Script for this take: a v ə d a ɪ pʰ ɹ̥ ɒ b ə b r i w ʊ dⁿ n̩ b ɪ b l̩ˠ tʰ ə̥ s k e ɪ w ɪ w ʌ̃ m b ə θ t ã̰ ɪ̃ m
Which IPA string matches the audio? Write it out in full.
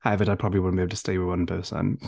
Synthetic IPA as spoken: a v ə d a ɪ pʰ ɹ̥ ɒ b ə b l i w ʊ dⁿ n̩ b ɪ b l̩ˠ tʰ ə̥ s t e ɪ w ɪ w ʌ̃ n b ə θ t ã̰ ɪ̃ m